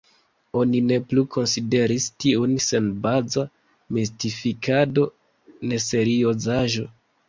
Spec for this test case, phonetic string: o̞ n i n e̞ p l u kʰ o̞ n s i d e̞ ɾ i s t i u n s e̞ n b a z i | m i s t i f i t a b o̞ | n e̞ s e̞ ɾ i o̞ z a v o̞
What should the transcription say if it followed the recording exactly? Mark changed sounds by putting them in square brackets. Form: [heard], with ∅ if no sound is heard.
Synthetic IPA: o̞ n i n e̞ p l u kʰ o̞ n s i d e̞ ɾ i s t i u n s e̞ n b a z [a] | m i s t i f i [k] a [d] o̞ | n e̞ s e̞ ɾ i o̞ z a [ʒ] o̞

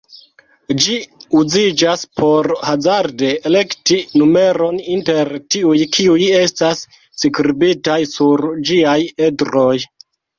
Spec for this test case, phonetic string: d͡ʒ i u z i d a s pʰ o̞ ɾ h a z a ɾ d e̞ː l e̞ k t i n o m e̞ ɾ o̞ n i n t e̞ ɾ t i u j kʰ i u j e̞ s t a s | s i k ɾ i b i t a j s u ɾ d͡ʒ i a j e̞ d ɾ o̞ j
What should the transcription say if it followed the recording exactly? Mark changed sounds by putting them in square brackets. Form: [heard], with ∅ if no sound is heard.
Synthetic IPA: d͡ʒ i u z i [d͡ʒ] a s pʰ o̞ ɾ h a z a ɾ d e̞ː l e̞ k t i n [u] m e̞ ɾ o̞ n i n t e̞ ɾ t i u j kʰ i u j e̞ s t a s | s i k ɾ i b i t a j s u ɾ d͡ʒ i a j e̞ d ɾ o̞ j

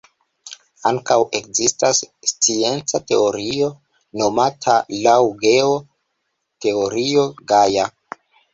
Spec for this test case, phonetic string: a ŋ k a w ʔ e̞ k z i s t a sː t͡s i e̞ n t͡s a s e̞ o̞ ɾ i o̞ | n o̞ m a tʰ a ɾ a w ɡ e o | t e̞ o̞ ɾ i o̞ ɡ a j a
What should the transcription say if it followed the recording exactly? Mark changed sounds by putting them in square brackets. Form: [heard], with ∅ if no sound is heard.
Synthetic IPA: a ŋ k a w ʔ e̞ k z i s t a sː t͡s i e̞ n t͡s a [t] e̞ o̞ ɾ i o̞ | n o̞ m a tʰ a [l] a w ɡ e o | t e̞ o̞ ɾ i o̞ ɡ a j a

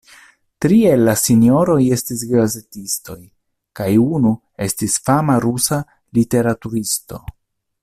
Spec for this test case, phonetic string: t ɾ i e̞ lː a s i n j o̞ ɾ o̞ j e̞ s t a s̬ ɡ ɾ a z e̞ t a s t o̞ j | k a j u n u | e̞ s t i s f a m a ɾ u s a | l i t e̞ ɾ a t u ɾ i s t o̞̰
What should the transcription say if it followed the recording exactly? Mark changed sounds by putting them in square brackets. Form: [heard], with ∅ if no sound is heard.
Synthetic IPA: t ɾ i e̞ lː a s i n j o̞ ɾ o̞ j e̞ s t [i] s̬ ɡ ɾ a z e̞ t [i] s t o̞ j | k a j u n u | e̞ s t i s f a m a ɾ u s a | l i t e̞ ɾ a t u ɾ i s t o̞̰

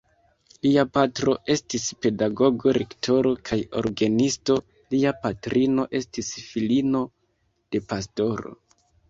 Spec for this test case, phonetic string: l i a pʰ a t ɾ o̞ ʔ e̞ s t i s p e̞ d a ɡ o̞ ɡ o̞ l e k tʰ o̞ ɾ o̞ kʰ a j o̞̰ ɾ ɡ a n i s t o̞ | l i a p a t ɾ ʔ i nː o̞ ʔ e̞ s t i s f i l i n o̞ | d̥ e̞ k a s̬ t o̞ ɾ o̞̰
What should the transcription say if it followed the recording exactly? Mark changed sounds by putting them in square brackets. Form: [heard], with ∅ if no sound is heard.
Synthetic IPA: l i a [p] a t ɾ o̞ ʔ e̞ s t i s p e̞ d a ɡ o̞ ɡ o̞ [ɾ] e k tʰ o̞ ɾ o̞ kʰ a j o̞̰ ɾ ɡ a n i s t o̞ | l i a p a t ɾ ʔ i [n] o̞ ʔ e̞ s t i s f i l i n o̞ | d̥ e̞ [p] a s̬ t o̞ ɾ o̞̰

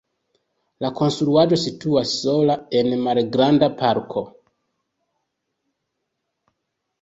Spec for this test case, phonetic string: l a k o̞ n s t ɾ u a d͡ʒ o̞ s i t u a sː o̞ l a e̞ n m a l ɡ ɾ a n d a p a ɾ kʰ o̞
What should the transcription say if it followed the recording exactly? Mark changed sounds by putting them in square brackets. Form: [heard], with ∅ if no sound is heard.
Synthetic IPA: l a k o̞ n s t ɾ u a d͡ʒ o̞ s i t u a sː o̞ l a e̞ n m a l ɡ ɾ a n d a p a ɾ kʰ o̞

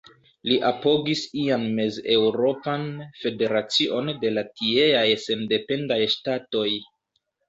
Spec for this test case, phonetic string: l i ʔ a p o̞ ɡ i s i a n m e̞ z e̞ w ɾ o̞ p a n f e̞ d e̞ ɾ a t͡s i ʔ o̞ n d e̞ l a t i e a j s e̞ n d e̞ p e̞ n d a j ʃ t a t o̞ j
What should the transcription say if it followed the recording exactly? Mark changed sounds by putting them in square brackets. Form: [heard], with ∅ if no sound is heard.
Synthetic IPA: l i ʔ a p o̞ ɡ i s i a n m e̞ z e̞ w ɾ o̞ p a n f e̞ d e̞ ɾ a t͡s i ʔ o̞ n d e̞ l a t i e a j s e̞ n d e̞ p e̞ n d a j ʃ t a t o̞ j

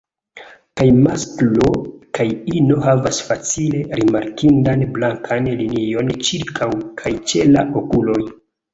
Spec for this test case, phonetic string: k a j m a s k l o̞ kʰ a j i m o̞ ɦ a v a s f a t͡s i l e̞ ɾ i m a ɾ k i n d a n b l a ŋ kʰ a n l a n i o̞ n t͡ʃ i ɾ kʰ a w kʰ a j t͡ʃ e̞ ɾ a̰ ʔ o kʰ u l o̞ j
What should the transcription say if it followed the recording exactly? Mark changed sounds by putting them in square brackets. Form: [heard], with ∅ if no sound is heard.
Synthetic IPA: k a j m a s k l o̞ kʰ a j i [n] o̞ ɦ a v a s f a t͡s i l e̞ ɾ i m a ɾ k i n d a n b l a ŋ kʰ a n l [i] n i o̞ n t͡ʃ i ɾ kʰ a w kʰ a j t͡ʃ e̞ [l] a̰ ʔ o [k] u l o̞ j

